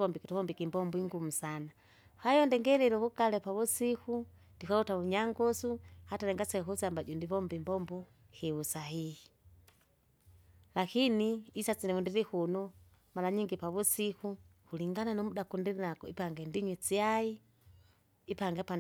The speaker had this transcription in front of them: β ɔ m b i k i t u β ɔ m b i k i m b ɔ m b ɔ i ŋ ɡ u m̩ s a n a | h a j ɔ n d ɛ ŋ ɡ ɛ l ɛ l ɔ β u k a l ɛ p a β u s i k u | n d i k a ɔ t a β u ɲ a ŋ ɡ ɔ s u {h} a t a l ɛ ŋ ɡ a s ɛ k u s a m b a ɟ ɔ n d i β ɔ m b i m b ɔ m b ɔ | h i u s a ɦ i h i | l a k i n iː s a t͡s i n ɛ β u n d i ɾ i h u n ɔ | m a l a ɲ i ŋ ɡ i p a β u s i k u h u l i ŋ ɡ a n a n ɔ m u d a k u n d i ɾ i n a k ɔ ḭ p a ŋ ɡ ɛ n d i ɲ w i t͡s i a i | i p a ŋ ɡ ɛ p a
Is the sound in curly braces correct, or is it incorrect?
correct